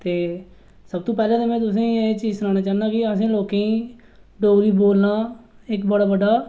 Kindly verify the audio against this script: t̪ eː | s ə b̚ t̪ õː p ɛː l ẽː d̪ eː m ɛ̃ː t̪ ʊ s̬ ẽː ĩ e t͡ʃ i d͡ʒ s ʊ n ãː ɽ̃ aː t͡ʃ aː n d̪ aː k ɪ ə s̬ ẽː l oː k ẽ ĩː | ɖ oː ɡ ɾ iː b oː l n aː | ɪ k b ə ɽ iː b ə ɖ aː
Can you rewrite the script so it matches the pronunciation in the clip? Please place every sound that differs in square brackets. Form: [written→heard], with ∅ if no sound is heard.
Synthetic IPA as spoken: t̪ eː | s ə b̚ t̪ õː p ɛː l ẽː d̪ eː m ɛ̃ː t̪ ʊ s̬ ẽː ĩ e t͡ʃ [i→iː] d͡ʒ s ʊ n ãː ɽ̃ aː t͡ʃ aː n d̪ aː k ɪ ə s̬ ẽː l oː k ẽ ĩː | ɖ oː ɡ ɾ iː b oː l n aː | ɪ k b ə ɽ [iː→aː] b ə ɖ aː